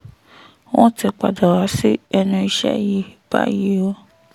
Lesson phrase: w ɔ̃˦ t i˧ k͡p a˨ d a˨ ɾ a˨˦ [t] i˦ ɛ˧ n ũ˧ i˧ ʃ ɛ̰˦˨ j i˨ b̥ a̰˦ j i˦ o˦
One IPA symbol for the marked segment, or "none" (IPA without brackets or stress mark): s